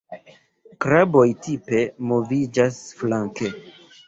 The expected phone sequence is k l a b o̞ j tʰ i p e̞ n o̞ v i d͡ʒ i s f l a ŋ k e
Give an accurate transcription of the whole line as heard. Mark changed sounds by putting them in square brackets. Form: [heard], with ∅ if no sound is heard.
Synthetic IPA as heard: k [ɾ] a b o̞ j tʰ i p e̞ [m] o̞ v i d͡ʒ [a] s f l a ŋ k e